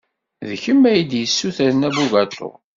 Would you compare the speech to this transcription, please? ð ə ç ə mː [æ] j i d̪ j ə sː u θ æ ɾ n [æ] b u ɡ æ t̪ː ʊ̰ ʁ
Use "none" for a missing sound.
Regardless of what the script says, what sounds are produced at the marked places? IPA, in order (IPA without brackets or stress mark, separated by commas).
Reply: æ, æ